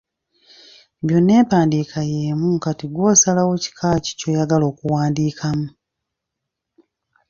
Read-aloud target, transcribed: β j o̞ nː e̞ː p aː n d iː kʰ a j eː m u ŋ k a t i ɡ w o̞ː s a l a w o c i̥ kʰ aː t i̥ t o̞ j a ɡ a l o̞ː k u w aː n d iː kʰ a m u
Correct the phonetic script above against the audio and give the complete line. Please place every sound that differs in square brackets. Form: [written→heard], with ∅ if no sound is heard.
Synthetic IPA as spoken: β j o̞ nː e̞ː p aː n d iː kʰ a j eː m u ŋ k a t i ɡ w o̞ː s a l a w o c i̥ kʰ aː [t→c] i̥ [t→c] o̞ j a ɡ a l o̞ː k u w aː n d iː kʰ a m u